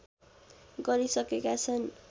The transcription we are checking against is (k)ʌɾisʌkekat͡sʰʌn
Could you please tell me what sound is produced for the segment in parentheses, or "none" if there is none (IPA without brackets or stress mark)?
ɡ